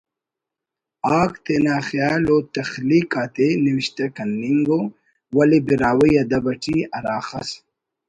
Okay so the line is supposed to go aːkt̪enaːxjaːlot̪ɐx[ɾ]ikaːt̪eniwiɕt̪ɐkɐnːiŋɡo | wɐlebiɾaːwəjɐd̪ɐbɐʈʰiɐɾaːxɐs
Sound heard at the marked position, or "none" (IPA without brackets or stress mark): l